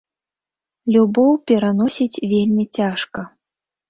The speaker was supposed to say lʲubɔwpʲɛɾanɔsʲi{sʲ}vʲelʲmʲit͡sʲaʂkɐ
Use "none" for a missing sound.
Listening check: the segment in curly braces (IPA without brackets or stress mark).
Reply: t͡sʲ